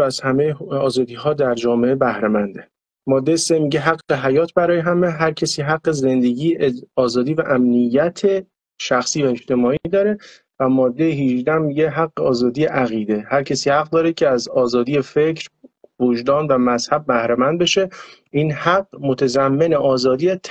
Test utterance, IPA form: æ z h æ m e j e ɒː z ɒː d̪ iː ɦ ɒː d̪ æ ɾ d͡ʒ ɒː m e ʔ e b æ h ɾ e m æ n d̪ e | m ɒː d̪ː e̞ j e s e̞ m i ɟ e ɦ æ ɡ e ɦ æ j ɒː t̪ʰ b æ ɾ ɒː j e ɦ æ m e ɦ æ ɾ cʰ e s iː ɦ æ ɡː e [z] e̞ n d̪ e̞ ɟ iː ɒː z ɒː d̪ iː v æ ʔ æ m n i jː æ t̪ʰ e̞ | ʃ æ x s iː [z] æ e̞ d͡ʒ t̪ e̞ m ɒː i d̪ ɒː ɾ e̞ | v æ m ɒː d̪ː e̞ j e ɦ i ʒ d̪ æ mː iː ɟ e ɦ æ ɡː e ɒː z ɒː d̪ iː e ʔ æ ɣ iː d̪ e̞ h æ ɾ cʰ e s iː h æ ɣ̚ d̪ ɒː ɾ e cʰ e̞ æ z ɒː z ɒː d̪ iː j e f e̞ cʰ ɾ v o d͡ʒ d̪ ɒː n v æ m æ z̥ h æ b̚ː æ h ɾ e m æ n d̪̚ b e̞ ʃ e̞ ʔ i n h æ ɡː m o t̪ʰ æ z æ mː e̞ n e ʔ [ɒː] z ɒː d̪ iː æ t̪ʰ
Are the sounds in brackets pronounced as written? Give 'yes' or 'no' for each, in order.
yes, no, yes

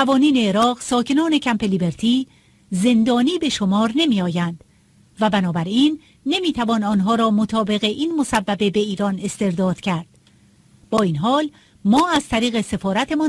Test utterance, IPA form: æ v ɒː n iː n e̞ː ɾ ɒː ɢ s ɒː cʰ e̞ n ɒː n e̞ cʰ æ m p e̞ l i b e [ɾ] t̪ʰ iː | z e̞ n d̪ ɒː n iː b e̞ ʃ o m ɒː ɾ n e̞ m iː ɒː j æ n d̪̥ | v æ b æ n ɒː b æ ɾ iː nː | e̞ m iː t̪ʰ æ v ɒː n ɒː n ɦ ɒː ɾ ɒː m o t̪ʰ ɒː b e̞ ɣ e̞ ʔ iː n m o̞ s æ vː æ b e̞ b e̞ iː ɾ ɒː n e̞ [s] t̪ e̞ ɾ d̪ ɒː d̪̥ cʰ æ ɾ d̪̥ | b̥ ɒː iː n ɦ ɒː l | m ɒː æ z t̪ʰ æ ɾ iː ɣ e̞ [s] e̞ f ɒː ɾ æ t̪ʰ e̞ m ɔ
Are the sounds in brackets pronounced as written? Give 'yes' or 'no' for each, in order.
yes, yes, yes

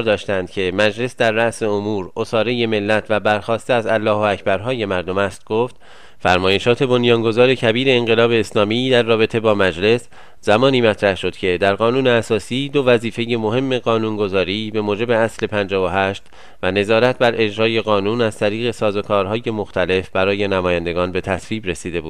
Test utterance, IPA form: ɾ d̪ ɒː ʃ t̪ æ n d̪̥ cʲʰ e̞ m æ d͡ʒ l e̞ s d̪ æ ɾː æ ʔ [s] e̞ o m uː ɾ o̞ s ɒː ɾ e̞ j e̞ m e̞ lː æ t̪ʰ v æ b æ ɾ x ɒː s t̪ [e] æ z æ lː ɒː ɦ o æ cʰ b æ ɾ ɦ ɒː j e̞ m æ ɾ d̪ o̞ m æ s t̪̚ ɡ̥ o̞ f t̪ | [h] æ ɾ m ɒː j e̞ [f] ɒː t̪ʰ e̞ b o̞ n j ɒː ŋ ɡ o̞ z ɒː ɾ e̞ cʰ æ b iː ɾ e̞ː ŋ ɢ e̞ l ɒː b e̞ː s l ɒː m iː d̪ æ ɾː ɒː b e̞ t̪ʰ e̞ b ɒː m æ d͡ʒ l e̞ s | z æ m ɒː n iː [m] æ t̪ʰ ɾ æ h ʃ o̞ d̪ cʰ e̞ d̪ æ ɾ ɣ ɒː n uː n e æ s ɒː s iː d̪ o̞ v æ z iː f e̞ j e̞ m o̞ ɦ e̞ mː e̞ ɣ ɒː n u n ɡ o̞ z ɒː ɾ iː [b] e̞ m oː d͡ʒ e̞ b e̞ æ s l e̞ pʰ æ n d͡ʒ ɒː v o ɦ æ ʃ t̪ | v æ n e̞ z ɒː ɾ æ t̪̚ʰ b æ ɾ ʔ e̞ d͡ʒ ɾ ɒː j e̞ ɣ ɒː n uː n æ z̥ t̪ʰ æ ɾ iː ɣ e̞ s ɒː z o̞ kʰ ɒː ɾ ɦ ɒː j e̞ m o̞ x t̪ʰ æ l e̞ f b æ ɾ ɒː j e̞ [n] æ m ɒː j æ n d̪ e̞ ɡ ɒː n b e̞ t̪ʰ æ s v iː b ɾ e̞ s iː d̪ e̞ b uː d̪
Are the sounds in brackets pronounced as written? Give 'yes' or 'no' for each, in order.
yes, yes, no, no, yes, yes, yes

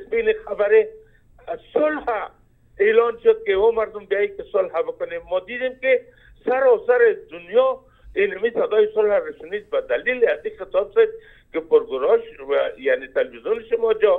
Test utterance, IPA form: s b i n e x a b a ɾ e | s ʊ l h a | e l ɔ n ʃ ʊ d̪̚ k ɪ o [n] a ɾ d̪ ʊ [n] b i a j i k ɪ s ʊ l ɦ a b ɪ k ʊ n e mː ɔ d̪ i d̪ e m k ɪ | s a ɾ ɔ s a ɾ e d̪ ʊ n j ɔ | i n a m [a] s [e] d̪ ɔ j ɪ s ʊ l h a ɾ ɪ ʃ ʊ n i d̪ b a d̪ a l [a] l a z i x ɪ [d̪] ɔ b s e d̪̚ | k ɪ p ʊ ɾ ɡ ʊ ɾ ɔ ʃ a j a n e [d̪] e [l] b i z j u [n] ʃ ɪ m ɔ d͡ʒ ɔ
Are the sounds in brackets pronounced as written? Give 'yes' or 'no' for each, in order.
no, no, no, no, no, no, no, yes, yes

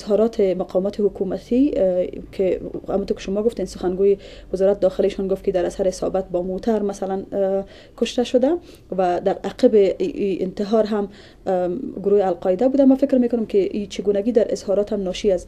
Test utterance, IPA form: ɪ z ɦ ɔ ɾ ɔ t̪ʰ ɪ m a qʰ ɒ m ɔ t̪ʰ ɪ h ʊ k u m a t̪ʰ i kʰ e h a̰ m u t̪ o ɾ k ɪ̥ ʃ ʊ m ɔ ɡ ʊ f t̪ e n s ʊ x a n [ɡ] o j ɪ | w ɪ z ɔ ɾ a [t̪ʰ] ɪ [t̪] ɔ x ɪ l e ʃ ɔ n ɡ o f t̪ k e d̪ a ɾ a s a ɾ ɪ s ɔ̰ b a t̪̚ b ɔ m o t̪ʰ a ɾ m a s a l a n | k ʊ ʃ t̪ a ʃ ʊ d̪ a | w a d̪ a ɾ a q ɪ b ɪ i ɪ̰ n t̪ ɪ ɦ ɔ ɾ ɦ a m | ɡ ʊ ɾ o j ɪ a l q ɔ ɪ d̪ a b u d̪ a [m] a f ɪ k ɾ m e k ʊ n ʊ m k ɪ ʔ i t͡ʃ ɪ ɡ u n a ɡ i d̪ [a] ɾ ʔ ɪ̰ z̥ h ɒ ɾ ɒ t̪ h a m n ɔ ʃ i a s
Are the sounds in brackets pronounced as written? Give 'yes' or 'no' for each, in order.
yes, no, no, yes, yes

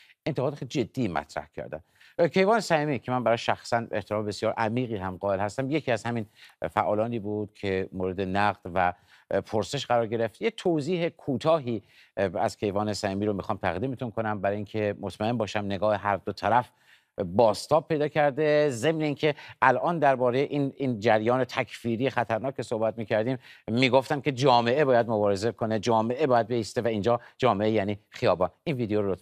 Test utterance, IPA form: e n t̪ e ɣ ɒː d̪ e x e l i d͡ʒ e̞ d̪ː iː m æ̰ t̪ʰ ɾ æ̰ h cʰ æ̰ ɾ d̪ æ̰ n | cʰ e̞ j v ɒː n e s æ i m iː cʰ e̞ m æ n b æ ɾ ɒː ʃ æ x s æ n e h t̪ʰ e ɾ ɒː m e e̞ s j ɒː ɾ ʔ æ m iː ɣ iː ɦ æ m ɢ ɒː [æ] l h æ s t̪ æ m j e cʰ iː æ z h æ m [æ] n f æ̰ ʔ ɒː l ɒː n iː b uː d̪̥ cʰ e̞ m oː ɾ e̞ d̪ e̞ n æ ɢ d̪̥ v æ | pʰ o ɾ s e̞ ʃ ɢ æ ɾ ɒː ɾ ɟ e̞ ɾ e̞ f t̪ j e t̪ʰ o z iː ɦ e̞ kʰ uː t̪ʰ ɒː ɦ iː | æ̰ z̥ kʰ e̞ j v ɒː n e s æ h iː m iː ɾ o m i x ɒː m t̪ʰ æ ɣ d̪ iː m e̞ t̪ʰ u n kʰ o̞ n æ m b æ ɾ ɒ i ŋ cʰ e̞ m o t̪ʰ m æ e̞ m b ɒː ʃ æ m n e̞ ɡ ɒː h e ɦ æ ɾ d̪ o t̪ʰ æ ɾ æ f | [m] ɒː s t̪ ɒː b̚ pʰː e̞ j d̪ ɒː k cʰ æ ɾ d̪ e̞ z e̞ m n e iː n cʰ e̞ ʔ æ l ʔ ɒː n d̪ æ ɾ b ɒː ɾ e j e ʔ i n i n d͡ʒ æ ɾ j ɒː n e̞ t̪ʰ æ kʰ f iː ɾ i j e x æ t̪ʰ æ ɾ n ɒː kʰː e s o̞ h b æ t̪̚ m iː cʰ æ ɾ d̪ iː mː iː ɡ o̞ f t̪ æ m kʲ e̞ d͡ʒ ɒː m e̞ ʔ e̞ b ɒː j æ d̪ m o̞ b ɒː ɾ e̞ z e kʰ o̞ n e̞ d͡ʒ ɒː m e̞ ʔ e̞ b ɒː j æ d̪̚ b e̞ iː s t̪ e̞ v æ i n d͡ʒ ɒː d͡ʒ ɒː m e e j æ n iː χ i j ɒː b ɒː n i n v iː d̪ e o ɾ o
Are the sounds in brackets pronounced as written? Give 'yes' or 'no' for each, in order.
no, no, no

